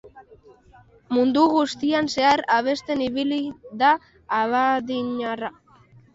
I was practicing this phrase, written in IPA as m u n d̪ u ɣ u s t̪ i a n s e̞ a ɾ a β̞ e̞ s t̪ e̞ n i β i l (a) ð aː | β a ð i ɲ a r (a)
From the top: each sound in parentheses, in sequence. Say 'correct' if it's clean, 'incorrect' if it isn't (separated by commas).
incorrect, correct